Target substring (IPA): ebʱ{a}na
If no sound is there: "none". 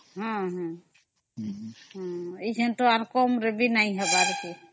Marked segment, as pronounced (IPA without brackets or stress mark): i